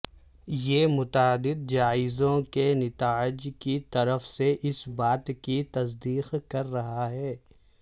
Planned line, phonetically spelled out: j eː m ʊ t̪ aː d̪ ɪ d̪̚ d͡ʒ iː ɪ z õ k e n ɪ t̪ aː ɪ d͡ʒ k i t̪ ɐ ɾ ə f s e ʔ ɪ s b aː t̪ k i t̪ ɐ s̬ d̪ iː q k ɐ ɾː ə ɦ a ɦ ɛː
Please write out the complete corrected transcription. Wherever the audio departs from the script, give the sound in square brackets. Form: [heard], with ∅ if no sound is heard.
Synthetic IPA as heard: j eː m ʊ t̪ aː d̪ ɪ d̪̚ d͡ʒ [aː] ɪ z õ k e n ɪ t̪ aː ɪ d͡ʒ k i t̪ ɐ ɾ ə f s e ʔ ɪ s b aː t̪ k i t̪ ɐ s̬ d̪ iː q k ɐ ɾː [ɐ] ɦ a ɦ ɛː